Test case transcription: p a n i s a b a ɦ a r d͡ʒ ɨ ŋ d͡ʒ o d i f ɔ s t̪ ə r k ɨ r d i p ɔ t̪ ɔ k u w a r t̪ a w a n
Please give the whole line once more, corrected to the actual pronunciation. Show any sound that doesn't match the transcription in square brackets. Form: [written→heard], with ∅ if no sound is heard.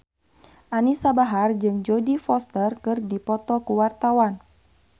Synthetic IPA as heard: [p→ʔ] a n i s a b a ɦ a r d͡ʒ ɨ ŋ d͡ʒ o d i f ɔ s t̪ ə r k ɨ r d i p ɔ t̪ ɔ k u w a r t̪ a w a n